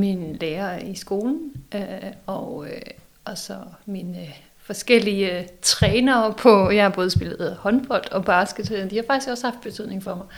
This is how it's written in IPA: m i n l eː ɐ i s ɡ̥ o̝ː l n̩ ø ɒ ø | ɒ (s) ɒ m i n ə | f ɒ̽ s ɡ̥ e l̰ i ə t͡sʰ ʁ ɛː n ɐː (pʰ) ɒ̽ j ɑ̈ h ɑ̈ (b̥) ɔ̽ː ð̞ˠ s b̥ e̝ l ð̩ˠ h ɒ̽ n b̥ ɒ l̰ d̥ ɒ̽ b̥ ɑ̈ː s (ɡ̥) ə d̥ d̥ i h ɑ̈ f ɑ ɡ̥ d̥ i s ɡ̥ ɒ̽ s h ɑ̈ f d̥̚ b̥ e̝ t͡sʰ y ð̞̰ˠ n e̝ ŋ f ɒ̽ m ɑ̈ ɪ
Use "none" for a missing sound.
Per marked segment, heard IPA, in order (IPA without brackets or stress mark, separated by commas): s, pʰ, b̥, ɡ̥